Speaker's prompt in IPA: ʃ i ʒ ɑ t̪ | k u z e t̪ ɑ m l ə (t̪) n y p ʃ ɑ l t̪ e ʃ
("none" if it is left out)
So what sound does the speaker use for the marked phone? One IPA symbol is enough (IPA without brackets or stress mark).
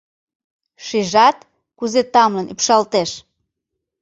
none